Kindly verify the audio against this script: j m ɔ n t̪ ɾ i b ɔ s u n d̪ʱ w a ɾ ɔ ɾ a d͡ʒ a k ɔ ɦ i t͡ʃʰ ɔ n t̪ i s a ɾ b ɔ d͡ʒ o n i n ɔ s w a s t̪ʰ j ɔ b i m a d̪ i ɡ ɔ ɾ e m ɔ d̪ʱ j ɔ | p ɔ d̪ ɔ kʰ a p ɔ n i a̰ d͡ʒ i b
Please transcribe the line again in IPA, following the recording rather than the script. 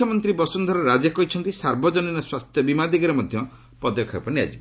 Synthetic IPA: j m ɔ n t̪ ɾ i b ɔ s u n d̪ʱ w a ɾ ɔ ɾ a d͡ʒ a k ɔ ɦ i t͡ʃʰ ɔ n t̪ i s a ɾ b ɔ d͡ʒ ɔ n i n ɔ s w a s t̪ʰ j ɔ b i m a d̪ i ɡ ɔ ɾ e m ɔ d̪ʱ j ɔ | p ɔ d̪ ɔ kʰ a p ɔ n i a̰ d͡ʒ i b